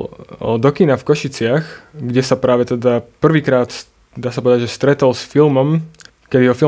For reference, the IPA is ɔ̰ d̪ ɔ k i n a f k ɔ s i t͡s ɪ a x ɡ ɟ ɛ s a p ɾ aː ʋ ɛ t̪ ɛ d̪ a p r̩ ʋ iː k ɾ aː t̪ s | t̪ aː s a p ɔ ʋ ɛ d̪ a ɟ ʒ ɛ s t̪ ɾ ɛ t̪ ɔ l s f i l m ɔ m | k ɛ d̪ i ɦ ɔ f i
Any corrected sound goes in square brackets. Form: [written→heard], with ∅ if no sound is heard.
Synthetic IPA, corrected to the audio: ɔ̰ d̪ ɔ k i n a f k ɔ [s→ʃ] i t͡s ɪ a x ɡ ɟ ɛ s a p ɾ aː ʋ ɛ t̪ ɛ d̪ a p r̩ ʋ iː k ɾ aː t̪ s | [t̪→d̪] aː s a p ɔ ʋ ɛ d̪ a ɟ ʒ ɛ s t̪ ɾ ɛ t̪ ɔ l s f i l m ɔ m | k ɛ d̪ i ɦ ɔ f i